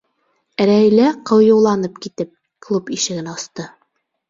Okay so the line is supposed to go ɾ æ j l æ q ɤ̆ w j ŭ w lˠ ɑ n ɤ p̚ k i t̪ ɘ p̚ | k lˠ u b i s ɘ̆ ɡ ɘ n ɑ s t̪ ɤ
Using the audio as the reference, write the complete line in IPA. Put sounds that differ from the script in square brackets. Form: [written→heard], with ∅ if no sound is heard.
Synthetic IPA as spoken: ɾ æ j l æ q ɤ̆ w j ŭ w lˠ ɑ n ɤ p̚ k i t̪ ɘ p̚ | k lˠ u [b→p] i [s→ʃ] ɘ̆ ɡ ɘ n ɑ s t̪ ɤ